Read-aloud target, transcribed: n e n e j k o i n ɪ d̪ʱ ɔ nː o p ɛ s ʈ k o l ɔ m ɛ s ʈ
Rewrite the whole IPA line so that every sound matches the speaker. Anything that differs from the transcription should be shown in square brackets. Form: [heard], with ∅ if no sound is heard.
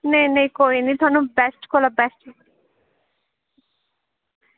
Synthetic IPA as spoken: n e n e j k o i n [i] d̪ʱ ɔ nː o [b] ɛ s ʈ k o l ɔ [b] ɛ s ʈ